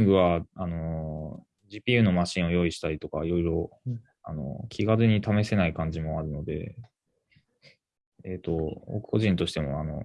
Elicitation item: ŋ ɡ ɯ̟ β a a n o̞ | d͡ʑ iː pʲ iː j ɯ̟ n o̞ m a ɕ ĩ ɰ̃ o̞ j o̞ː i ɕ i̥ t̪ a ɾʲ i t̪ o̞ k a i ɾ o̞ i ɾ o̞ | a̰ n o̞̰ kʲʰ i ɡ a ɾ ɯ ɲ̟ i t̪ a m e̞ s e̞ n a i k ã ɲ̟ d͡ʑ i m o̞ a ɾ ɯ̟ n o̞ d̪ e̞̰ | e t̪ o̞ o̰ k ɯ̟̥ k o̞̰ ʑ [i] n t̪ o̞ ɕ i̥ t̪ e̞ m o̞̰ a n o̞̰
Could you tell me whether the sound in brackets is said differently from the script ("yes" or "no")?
yes